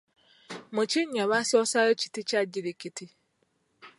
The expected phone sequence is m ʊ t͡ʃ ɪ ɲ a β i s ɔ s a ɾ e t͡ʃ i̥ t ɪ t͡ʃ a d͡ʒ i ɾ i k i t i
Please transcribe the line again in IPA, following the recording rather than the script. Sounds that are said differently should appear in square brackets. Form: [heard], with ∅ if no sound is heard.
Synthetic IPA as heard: m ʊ t͡ʃ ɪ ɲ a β [a] s ɔ s a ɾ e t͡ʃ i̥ t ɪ t͡ʃ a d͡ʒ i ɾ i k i t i